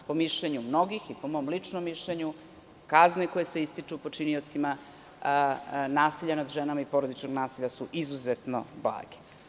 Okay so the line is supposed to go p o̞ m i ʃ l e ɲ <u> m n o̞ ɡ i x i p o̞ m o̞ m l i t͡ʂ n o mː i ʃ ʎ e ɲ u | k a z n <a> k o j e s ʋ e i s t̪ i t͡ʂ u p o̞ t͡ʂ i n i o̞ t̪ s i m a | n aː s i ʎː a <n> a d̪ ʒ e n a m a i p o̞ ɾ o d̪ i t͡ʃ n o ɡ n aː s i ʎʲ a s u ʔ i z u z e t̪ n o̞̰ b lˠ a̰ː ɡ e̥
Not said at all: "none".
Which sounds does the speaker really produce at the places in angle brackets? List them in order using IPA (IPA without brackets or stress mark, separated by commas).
u, e, n